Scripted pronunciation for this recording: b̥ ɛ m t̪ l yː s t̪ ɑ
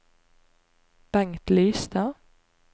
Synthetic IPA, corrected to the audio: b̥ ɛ ŋ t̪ l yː s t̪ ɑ